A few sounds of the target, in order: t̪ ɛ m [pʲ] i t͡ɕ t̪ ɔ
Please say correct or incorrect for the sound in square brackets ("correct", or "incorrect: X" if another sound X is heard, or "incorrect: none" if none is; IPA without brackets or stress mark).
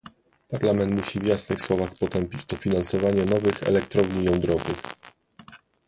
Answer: correct